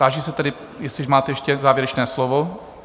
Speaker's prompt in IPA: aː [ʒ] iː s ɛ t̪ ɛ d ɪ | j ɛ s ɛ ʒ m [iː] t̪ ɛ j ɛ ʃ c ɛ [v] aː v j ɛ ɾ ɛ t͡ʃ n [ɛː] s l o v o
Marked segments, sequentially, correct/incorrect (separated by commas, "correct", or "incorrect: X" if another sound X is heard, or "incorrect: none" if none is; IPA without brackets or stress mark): correct, incorrect: aː, incorrect: z, correct